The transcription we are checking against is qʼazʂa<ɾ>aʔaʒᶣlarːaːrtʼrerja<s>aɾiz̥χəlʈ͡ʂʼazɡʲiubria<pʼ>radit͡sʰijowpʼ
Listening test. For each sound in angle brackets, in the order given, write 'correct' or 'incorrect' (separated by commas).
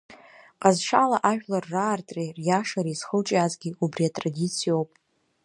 incorrect, incorrect, incorrect